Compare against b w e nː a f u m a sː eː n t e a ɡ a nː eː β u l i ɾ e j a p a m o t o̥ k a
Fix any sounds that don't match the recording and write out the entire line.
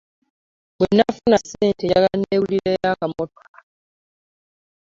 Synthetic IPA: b w e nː a f u n a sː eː n t e a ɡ a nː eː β u l i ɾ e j a k a m o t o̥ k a